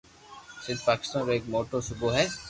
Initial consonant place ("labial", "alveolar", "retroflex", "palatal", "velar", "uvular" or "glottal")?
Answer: alveolar